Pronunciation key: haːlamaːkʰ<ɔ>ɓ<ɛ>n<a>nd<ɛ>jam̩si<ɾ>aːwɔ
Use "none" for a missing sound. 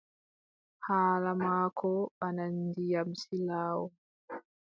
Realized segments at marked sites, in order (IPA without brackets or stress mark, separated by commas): ɔ, a, a, i, l